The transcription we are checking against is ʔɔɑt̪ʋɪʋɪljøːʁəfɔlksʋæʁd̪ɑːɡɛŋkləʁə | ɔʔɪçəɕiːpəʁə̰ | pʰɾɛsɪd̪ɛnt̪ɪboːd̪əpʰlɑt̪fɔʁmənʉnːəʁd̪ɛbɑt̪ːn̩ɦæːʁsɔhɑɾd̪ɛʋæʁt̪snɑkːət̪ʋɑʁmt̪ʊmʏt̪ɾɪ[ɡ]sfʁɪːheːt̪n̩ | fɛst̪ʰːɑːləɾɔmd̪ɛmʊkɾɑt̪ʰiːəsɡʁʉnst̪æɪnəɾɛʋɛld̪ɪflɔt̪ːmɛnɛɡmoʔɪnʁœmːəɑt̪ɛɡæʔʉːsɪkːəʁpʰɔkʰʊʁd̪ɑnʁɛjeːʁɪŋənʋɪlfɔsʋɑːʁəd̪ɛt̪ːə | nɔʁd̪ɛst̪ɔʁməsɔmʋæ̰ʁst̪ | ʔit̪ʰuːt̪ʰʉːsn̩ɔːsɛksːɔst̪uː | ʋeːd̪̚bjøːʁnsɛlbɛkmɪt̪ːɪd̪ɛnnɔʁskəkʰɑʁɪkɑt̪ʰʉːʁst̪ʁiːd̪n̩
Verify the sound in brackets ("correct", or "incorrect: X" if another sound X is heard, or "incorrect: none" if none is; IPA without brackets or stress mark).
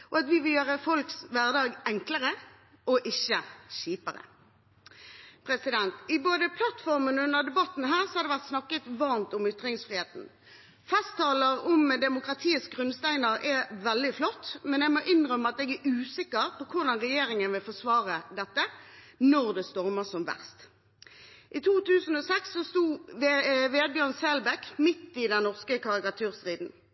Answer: incorrect: ŋ